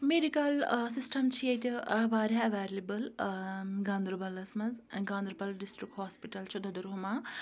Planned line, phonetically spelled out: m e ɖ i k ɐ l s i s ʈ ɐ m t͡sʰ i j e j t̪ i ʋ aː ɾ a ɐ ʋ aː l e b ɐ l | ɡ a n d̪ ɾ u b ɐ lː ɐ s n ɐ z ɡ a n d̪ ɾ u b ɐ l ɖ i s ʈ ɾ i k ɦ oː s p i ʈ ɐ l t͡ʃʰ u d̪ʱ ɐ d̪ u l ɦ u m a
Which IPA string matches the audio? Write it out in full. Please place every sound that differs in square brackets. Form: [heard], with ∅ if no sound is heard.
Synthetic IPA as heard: m e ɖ i k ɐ l s i s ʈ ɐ m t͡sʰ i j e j t̪ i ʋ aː ɾ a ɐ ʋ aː l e b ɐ l | ɡ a n d̪ ɾ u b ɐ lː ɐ s [m] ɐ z ɡ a n d̪ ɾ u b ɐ l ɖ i s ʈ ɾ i k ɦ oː s p i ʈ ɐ l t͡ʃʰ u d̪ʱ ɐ d̪ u [ɾ] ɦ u m a